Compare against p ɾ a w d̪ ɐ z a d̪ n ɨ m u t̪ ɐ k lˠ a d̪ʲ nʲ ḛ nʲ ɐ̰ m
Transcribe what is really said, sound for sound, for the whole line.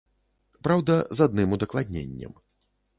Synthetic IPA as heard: p ɾ a w d̪ ɐ z a d̪ n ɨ m u d̪ ɐ k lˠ a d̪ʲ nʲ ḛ nʲː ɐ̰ m